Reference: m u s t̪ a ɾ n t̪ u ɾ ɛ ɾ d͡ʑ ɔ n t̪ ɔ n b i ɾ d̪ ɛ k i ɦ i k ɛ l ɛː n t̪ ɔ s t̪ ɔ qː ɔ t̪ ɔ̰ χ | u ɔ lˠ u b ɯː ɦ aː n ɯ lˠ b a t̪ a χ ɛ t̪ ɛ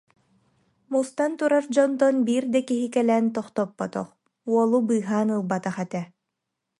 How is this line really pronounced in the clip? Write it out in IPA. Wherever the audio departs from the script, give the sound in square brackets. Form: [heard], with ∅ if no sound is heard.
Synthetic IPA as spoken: m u s t̪ a [∅] n t̪ u ɾ [a] ɾ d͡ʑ ɔ n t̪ ɔ n b [iː] ɾ d̪ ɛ k i ɦ i k ɛ l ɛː n t̪ ɔ [χ] t̪ ɔ [pː] ɔ t̪ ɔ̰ χ | u ɔ lˠ u b ɯː ɦ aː n ɯ lˠ b a t̪ a χ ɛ t̪ ɛ